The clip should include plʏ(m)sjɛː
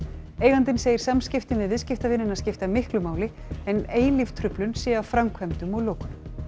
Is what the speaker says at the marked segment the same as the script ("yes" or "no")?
no